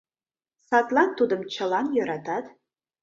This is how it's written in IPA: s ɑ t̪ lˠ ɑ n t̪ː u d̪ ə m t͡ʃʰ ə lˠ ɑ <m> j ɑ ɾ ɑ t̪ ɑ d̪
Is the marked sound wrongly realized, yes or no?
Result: yes